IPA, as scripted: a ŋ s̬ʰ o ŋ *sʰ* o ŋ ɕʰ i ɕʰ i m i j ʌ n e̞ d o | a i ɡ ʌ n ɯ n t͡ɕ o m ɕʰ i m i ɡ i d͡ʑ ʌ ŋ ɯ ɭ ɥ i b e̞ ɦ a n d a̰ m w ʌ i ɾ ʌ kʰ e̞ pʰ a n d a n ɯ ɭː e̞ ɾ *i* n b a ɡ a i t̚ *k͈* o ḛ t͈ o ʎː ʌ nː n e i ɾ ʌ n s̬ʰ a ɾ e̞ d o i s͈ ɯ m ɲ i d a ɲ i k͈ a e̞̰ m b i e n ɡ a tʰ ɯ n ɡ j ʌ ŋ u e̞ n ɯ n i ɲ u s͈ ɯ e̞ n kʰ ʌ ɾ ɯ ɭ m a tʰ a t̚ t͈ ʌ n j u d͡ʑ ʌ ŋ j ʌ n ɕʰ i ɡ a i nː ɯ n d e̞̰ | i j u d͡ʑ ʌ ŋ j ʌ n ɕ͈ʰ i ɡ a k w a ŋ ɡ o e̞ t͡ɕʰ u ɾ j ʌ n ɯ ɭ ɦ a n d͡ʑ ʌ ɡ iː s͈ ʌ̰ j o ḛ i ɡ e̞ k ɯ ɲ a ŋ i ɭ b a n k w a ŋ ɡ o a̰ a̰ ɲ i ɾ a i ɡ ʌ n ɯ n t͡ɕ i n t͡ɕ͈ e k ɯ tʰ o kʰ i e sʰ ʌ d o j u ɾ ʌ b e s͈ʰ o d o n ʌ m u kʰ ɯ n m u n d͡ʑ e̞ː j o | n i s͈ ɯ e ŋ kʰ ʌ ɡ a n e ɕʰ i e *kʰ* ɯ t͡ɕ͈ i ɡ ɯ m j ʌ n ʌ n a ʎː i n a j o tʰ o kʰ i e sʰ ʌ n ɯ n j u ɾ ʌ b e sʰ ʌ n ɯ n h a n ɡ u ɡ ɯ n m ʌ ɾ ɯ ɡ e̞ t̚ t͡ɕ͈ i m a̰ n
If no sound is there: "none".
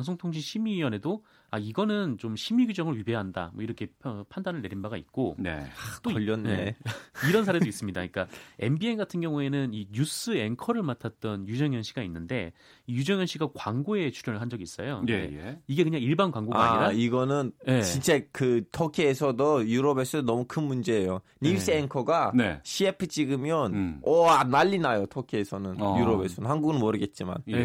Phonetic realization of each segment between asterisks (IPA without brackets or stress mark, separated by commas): tʰ, i, k͈, pʰ